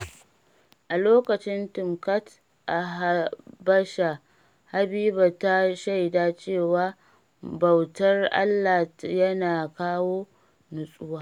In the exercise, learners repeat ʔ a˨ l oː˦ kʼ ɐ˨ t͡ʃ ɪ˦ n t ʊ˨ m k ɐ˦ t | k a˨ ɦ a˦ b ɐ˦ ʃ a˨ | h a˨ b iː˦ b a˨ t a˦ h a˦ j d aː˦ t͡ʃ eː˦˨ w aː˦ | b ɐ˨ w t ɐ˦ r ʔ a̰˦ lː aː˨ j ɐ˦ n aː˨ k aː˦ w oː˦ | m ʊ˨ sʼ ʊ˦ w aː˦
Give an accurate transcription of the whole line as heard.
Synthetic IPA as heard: ʔ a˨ l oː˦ k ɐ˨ t͡ʃ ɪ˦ n t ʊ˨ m k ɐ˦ t | ʔ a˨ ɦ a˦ b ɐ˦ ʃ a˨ | h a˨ b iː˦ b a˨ t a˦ ʃ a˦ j d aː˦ t͡ʃ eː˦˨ w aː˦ | b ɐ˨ w t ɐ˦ r ʔ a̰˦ lː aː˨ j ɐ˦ n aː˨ k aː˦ w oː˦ | n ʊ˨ sʼ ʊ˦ w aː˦

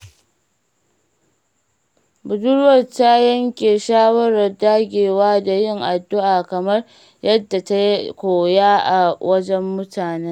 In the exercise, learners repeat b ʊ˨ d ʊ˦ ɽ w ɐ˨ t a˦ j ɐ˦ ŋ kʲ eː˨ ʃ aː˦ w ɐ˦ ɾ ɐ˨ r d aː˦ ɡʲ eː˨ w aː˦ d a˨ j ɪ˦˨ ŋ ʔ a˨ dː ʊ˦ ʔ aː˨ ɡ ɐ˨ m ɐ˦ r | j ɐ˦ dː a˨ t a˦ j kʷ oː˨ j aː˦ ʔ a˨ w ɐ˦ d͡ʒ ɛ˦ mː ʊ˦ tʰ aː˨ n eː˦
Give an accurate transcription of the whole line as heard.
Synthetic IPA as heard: b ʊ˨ d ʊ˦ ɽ w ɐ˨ t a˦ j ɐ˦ ŋ kʲ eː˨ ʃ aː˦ w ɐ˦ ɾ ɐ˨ r d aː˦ ɡʲ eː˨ w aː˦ d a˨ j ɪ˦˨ ŋ ʔ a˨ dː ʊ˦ ʔ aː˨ k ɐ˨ m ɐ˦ r | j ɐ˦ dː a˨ t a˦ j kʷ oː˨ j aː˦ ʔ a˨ w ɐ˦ d͡ʒ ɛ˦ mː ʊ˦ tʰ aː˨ n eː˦

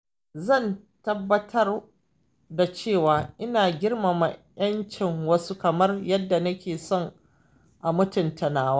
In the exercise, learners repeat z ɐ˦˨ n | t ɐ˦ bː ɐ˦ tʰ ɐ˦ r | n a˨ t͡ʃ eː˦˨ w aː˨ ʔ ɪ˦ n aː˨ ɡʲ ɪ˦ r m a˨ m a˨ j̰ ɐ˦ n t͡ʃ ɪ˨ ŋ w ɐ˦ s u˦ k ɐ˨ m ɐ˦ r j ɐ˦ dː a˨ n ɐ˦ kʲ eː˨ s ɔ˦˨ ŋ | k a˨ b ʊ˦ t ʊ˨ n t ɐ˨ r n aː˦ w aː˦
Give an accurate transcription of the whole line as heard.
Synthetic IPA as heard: z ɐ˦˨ n | t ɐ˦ bː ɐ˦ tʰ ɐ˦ r | d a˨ t͡ʃ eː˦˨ w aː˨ ʔ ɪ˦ n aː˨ ɡʲ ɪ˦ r m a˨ m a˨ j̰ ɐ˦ n t͡ʃ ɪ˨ ŋ w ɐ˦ s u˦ k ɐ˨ m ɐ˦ r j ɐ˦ dː a˨ n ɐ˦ kʲ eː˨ s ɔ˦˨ ŋ | ʔ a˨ m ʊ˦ t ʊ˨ n t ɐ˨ n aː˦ w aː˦

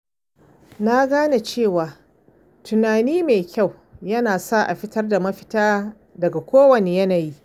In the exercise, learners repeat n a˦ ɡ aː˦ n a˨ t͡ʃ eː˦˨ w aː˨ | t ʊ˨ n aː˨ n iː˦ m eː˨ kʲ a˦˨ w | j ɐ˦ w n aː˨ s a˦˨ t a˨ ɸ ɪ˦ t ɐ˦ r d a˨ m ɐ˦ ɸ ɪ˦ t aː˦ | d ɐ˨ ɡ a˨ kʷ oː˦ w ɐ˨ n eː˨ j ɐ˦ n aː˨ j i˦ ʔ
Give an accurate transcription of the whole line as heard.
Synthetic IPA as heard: n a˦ ɡ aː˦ n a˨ t͡ʃ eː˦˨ w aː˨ | t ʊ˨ n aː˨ n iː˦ m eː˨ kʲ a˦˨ w | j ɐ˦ n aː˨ s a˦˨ ʔ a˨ ɸ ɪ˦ t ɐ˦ r d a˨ m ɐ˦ ɸ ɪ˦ t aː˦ | d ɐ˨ ɡ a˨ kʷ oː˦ w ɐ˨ n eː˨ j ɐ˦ n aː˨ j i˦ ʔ

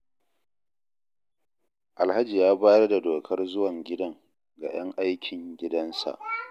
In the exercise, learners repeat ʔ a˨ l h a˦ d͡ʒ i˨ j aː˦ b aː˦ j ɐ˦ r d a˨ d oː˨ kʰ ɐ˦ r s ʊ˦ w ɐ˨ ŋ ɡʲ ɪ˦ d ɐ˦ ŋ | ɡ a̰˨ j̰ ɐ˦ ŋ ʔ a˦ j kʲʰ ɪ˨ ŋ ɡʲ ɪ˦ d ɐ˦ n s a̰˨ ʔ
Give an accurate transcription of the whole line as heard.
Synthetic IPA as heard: ʔ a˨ l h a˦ d͡ʒ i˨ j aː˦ b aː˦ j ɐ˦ r d a˨ d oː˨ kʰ ɐ˦ r z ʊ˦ w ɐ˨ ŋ ɡʲ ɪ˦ d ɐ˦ ŋ | ɡ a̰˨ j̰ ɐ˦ ŋ ʔ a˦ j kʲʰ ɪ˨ ŋ ɡʲ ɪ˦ d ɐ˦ n s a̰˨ ʔ

